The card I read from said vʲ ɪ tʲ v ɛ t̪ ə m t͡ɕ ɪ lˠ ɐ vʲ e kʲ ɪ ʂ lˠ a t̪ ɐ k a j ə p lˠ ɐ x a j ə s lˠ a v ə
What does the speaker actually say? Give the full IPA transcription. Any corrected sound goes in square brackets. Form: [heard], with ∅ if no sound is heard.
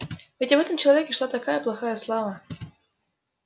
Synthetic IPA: vʲ ɪ tʲ v ɛ t̪ ə m t͡ɕ ɪ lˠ ɐ vʲ e kʲ ɪ ʂ lˠ a t̪ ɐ k a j ə p lˠ ɐ x a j ə s lˠ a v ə